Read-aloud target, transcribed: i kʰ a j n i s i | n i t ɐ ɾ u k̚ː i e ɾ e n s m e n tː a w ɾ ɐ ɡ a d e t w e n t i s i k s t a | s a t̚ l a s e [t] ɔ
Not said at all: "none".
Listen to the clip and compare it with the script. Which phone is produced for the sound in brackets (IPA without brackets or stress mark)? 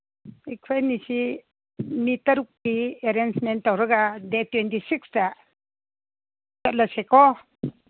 k